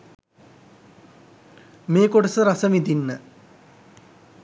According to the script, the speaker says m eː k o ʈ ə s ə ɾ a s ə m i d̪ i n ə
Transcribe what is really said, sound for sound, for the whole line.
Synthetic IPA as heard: m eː k o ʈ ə s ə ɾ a s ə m i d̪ i nː ə